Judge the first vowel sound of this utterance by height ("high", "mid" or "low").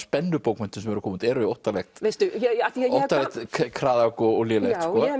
mid